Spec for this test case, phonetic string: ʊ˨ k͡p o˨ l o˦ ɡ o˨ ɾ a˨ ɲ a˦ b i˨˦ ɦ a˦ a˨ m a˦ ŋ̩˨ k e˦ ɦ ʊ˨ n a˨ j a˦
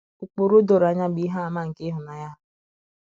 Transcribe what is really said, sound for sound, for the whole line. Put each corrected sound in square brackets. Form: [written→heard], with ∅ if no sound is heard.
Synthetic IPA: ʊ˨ k͡p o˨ [l→ɾ] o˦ [ɡ→d] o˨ ɾ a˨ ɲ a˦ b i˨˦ ɦ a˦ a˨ m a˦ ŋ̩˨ k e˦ ɦ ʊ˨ n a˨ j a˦